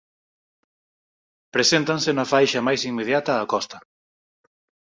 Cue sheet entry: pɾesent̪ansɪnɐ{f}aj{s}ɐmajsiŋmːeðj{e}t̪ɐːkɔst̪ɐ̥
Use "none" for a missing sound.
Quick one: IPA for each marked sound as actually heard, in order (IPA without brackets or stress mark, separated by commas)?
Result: f, ʃ, a